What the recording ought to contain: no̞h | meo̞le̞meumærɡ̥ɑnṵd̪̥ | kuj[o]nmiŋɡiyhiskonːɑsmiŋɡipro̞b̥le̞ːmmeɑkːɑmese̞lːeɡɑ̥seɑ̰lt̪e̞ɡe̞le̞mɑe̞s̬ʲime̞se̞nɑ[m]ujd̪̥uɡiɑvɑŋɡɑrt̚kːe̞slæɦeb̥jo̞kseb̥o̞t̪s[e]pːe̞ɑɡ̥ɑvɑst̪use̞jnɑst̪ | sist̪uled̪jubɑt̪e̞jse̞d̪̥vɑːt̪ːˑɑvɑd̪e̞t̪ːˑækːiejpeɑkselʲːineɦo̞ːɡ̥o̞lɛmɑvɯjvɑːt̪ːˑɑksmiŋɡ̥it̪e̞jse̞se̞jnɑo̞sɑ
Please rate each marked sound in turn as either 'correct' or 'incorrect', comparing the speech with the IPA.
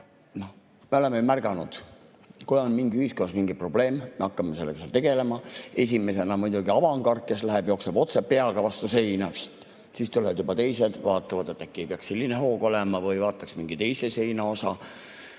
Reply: correct, correct, correct

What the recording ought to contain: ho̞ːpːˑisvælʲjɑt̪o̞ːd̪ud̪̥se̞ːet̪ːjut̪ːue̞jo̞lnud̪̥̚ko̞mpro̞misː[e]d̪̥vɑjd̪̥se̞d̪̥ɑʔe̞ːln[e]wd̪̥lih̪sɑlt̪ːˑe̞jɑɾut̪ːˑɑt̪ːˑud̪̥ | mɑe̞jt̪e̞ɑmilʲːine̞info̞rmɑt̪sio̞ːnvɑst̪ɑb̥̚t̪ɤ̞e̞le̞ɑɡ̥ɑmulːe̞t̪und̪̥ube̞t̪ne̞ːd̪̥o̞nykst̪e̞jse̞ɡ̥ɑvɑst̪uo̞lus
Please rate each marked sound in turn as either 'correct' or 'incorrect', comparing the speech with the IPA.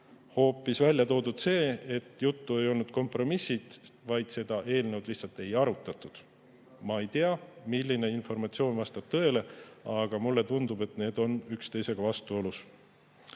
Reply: incorrect: i, correct

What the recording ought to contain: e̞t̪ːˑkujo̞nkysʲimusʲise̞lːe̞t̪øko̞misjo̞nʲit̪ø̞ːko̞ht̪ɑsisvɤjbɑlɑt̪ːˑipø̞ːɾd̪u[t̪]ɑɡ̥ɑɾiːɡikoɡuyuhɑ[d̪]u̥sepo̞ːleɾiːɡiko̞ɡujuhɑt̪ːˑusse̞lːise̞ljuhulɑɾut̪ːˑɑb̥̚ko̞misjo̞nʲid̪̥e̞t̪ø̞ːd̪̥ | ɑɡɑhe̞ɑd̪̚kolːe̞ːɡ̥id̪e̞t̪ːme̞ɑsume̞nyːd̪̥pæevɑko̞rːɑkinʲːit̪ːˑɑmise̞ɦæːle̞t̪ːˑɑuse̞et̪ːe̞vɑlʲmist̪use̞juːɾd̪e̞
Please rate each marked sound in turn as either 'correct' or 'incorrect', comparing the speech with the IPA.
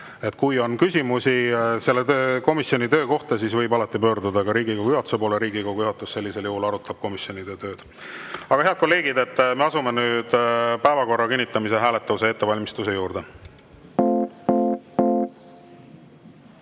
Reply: incorrect: d̪, incorrect: t̪

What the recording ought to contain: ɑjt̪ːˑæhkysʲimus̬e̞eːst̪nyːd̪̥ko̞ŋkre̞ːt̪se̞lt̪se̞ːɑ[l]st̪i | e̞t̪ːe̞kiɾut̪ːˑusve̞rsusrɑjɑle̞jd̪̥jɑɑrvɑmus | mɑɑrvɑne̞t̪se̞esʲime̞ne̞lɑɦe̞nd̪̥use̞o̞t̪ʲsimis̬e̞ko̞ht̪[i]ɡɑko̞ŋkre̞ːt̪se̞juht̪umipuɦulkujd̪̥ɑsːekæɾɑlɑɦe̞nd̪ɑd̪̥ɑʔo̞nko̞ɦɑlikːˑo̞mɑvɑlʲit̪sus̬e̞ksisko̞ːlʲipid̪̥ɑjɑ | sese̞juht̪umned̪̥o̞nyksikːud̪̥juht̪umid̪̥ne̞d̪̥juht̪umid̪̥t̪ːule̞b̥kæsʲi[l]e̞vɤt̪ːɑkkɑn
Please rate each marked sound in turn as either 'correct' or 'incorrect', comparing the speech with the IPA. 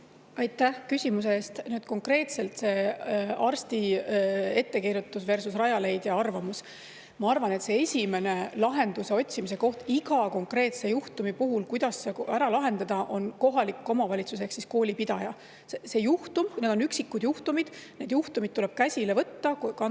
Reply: incorrect: r, correct, correct

